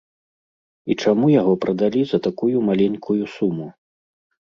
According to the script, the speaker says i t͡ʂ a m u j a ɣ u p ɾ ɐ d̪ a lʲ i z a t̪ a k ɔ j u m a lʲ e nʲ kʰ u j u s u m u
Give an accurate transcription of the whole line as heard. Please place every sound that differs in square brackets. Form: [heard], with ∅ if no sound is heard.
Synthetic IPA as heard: i t͡ʂ a m u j a ɣ [ɔ] p ɾ ɐ d̪ a lʲ i z [ɐ] t̪ a k [u] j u m a lʲ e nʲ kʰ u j u s u m u